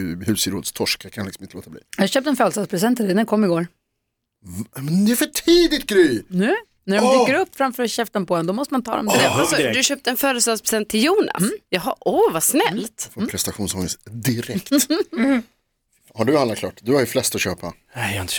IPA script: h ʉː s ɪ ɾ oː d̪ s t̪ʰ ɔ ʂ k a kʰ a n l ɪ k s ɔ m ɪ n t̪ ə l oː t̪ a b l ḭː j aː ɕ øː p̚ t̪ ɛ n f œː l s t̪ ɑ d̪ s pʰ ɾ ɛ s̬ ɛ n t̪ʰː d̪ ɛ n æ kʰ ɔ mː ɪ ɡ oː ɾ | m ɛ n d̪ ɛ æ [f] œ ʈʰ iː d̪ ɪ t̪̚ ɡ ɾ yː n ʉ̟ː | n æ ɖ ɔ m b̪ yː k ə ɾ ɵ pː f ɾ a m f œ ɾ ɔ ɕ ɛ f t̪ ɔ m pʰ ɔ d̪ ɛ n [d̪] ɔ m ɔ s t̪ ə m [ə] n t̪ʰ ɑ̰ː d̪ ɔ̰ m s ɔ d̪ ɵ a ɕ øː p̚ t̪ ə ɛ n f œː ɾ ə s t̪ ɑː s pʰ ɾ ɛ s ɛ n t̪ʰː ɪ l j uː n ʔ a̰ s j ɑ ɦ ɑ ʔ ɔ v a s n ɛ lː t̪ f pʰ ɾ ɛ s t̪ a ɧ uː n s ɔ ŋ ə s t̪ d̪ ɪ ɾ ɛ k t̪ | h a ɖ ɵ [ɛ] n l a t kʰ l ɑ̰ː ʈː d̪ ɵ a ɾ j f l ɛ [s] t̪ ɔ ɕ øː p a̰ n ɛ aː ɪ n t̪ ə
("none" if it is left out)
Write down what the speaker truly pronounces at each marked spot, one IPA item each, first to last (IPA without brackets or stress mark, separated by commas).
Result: f, d̪, a, a, s